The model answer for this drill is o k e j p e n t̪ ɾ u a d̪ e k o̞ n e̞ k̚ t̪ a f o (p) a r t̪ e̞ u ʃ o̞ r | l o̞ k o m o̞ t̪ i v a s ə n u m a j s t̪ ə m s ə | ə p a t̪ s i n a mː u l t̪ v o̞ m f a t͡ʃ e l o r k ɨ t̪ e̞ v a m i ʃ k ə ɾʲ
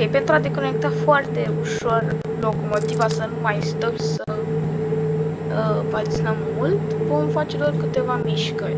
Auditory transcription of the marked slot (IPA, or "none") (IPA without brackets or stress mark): none